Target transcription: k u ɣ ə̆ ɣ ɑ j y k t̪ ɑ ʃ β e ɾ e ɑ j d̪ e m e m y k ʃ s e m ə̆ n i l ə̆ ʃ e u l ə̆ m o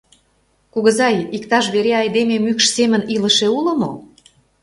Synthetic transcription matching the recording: k u ɣ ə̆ z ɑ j i k t̪ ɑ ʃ β e ɾ e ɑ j d̪ e m e m y k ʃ s e m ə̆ n i l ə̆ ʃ e u l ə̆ m o

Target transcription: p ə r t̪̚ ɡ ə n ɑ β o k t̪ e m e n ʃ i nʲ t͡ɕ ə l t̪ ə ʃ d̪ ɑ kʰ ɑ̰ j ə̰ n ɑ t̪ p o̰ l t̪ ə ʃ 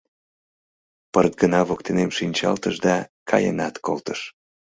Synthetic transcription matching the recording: p ə r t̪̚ ɡ ə n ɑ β o k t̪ e n e m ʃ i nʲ t͡ɕ ɑ l t̪ ə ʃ d̪ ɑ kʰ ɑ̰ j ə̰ n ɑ t̪ k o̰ l t̪ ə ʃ

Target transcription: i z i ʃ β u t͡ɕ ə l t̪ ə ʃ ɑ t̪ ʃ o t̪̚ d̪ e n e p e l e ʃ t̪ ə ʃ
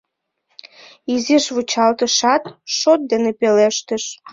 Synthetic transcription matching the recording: i z i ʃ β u t͡ɕ ɑ l t̪ ə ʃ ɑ t̪ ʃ o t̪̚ d̪ e n e p e l e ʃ t̪ ə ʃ

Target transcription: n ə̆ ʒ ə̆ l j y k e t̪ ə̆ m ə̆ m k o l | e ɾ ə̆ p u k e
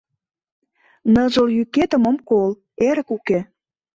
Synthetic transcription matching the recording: n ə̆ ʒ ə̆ l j y k e t̪ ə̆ m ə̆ m k o l | e ɾ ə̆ k u k e

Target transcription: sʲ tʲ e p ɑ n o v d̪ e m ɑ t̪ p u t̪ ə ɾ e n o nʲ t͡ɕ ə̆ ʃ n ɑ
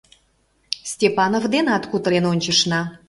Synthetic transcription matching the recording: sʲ tʲ e p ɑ n o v d̪ e n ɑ t̪ k u t̪ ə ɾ e n o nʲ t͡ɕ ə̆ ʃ n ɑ

